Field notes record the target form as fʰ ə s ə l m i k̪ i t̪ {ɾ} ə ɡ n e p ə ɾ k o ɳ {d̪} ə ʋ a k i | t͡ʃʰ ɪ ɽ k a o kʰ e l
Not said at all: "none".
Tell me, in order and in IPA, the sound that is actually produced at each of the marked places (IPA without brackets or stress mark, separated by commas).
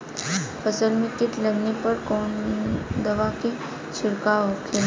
l, d̪